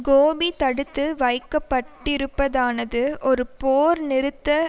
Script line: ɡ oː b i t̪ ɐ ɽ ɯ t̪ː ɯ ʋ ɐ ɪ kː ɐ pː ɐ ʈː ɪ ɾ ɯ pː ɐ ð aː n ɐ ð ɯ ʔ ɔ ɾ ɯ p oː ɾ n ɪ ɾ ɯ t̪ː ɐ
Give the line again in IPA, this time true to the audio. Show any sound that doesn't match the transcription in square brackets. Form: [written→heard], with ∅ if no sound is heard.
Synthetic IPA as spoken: ɡ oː b i t̪ ɐ ɽ ɯ t̪ː ɯ ʋ ɐ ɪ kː ɐ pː ɐ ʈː ɪ ɾ ɯ pː ɐ ð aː n ɐ ð ɯ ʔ ɔ ɾ ɯ p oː ɾ n ɪ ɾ ɯ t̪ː ɐ